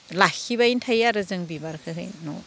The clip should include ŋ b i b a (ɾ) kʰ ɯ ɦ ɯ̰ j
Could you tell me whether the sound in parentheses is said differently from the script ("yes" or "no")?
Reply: no